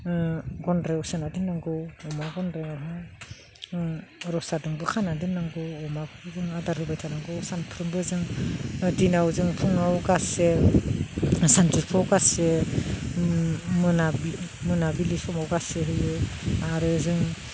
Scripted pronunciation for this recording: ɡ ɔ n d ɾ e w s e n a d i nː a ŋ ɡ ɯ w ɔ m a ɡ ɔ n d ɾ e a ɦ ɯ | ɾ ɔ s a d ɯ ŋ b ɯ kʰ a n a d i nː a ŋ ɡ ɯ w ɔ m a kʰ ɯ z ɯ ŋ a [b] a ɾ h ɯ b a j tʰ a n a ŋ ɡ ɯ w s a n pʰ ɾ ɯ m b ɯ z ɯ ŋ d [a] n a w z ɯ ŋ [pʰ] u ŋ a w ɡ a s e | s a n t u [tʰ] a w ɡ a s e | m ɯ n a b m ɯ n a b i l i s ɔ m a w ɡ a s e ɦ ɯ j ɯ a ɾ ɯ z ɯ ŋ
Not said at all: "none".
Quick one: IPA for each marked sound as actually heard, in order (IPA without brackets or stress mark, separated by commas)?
d, i, pʰ, pʰ